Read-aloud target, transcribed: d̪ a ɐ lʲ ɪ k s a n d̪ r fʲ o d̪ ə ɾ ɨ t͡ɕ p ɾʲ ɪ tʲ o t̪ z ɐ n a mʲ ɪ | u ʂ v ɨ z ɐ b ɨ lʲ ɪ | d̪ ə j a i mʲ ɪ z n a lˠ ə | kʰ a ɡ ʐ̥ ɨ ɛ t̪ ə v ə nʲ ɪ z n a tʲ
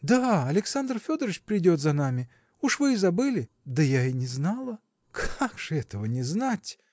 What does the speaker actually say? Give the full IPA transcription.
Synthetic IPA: d̪ a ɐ lʲ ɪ k s a n d̪ r fʲ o d̪ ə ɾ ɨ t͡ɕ p ɾʲ ɪ dʲ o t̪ z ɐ n a mʲ ɪ | u ʂ v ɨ z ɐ b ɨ lʲ ɪ | d̪ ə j a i nʲ ɪ z n a lˠ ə | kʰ a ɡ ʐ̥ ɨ ɛ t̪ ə v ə nʲ ɪ z n a tʲ

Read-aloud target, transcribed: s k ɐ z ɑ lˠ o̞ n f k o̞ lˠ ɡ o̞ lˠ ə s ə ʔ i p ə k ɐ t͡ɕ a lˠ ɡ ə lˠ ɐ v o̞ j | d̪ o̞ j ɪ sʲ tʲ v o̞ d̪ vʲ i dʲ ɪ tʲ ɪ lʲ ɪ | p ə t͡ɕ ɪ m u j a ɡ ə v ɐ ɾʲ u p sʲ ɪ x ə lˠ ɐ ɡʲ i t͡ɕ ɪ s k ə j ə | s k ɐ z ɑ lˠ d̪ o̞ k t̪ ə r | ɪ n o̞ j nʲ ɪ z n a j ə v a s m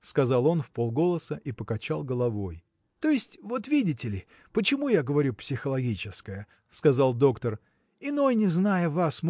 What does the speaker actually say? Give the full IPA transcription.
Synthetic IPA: s k ɐ z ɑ lˠ o̞ n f p o̞ lˠ ɡ o̞ lˠ ə s ə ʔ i p ə k ɐ t͡ɕ a lˠ ɡ ə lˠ ɐ v o̞ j | t̪ o̞ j ɪ sʲ tʲ v o̞ t̪ vʲ i dʲ ɪ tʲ ɪ lʲ ɪ | p ə t͡ɕ ɪ m u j a ɡ ə v ɐ ɾʲ u p sʲ ɪ x ə lˠ ɐ ɡʲ i t͡ɕ ɪ s k ə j ə | s k ɐ z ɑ lˠ d̪ o̞ k t̪ ə r | ɪ n o̞ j nʲ ɪ z n a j ə v a s m

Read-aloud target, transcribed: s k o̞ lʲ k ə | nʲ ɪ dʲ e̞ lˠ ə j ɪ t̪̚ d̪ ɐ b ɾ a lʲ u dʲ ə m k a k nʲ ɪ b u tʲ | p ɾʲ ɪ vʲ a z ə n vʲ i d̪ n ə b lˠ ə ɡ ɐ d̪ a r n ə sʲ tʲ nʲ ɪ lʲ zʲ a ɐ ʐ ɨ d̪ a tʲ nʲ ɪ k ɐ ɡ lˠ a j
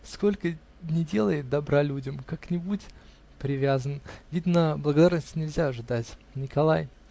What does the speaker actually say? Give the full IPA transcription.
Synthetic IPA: s k o̞ lʲ k ə | nʲ ɪ dʲ e̞ lˠ ə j ɪ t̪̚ d̪ ɐ b ɾ a lʲ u dʲ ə m k a k nʲ ɪ b u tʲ | p ɾʲ ɪ vʲ a z ə n vʲ i d̪ n ə b lˠ ə ɡ ɐ d̪ a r n ə sʲ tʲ nʲ ɪ lʲ zʲ a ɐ ʐ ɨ d̪ a tʲ nʲ ɪ k ɐ lˠ a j

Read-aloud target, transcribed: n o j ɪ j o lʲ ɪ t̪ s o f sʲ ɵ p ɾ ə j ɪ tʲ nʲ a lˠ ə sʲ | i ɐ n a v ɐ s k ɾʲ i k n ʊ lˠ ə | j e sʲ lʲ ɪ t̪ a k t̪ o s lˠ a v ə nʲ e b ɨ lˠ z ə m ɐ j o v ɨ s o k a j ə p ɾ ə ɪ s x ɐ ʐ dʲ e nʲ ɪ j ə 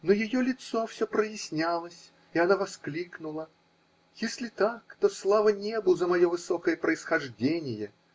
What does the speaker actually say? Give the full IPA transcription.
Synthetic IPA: n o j ɪ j o lʲ ɪ t̪ s o f sʲ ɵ p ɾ ə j ɪ sʲ nʲ a lˠ ə sʲ | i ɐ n a v ɐ s k lʲ i k n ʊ lˠ ə | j e sʲ lʲ ɪ t̪ a k t̪ o s lˠ a v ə nʲ e b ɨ lˠ z ə m ɐ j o v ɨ s o k ə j ə p ɾ ə ɪ s x ɐ ʐ dʲ e nʲ ɪ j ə

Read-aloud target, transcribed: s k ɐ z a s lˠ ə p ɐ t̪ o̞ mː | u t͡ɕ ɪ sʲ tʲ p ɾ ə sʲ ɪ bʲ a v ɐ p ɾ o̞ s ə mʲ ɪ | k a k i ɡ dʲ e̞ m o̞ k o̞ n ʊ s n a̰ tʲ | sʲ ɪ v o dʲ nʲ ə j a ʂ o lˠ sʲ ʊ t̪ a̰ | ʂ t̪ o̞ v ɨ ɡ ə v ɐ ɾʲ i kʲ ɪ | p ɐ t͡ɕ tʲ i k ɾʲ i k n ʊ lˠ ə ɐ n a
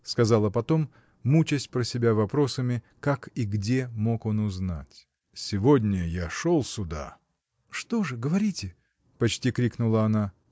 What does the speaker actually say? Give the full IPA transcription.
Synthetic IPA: s k ɐ z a lˠ ə p ɐ t̪ o̞ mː | u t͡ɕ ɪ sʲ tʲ p ɾ ə sʲ ɪ bʲ a v ɐ p ɾ o̞ s ə mʲ ɪ | k a k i ɡ dʲ e̞ m o̞ k o̞ n ʊ z n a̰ tʲ | sʲ ɪ v o dʲ nʲ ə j a ʂ o lˠ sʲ ʊ d̪ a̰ | ʂ t̪ o̞ ʐ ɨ ɡ ə v ɐ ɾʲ i tʲ ɪ | p ɐ t͡ɕ tʲ i k ɾʲ i k n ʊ lˠ ə ɐ n a

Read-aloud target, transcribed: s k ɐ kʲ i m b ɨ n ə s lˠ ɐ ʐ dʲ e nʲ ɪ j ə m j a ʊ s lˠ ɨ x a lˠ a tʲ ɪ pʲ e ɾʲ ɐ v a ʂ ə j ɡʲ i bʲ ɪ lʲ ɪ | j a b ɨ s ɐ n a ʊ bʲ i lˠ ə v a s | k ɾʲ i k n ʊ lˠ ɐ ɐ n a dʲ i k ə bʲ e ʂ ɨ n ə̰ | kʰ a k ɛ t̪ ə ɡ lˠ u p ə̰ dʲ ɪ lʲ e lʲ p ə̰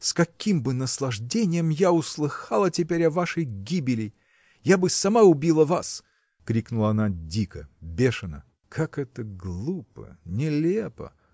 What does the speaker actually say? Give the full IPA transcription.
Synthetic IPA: s k ɐ kʲ i m b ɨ n ə s lˠ ɐ ʐ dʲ e nʲ ɪ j ə m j a ʊ s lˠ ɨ x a lˠ ə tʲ ɪ pʲ e ɾʲ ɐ v a ʂ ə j ɡʲ i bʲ ɪ lʲ ɪ | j a b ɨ s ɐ m a ʊ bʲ i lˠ ə v a s | k ɾʲ i k n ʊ lˠ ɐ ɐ n a dʲ i k ə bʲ e ʂ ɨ n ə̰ | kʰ a k ɛ t̪ ə ɡ lˠ u p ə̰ nʲ ɪ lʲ e p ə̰

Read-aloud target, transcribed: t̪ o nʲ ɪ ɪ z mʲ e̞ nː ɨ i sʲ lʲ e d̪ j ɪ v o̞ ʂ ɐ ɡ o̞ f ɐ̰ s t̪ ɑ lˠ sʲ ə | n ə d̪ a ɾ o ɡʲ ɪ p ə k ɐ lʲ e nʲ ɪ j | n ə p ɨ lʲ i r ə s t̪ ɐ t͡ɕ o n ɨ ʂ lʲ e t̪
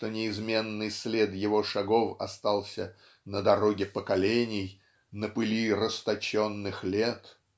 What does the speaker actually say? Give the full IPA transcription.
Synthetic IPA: t̪ o nʲ ɪ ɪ z mʲ e̞ nː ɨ j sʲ lʲ e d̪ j ɪ v o̞ ʂ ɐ ɡ o̞ f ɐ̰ s t̪ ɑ lˠ sʲ ə | n ə d̪ ɐ ɾ o ɡʲ ɪ p ə k ɐ lʲ e nʲ ɪ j | n ə p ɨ lʲ i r ə s t̪ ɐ t͡ɕ o nː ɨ x lʲ e t̪

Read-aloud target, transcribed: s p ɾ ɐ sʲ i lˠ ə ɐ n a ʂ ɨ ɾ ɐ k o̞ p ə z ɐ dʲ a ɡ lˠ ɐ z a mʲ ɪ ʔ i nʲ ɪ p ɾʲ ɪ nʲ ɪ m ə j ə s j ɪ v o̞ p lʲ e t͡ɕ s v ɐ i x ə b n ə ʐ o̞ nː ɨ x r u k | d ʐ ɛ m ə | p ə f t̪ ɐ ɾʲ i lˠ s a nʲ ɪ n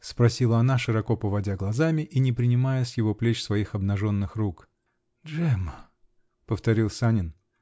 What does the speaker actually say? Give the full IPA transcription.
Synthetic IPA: s p ɾ ɐ sʲ i lˠ ə ɐ n a ʂ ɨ ɾ ɐ k o̞ p ə v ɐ dʲ a ɡ lˠ ɐ z a mʲ ɪ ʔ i nʲ ɪ p ɾʲ ɪ nʲ ɪ m a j ə s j ɪ v o̞ p lʲ e t͡ɕ s v ɐ i x ɐ b n ɐ ʐ o̞ nː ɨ x r u k | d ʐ ɛ m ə | p ə f t̪ ɐ ɾʲ i lˠ s a nʲ ɪ n

